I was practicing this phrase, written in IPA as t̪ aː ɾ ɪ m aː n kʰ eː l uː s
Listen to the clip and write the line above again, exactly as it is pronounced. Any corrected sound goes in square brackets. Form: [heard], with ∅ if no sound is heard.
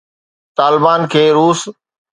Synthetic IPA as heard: t̪ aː [l] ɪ [b] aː n kʰ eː [ɾ] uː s